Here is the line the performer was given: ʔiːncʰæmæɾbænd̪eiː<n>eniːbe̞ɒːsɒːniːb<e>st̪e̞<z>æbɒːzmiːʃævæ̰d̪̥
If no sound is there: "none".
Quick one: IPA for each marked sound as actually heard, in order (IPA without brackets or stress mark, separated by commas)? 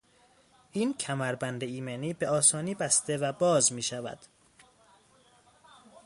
m, æ, v